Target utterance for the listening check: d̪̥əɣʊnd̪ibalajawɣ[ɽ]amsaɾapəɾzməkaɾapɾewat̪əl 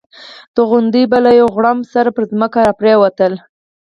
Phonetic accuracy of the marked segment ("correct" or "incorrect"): correct